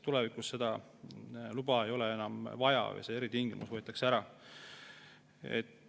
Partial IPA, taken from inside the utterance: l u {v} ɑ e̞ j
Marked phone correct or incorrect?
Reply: incorrect